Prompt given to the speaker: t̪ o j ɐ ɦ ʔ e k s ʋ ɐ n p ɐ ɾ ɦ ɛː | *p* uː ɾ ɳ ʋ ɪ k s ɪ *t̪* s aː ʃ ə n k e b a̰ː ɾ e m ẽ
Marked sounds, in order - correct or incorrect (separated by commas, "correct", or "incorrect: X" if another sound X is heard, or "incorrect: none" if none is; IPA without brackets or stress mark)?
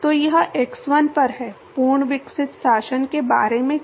correct, correct